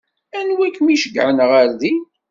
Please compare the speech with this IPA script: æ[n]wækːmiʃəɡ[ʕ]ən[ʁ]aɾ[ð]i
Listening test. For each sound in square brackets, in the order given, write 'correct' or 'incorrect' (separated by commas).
correct, correct, correct, correct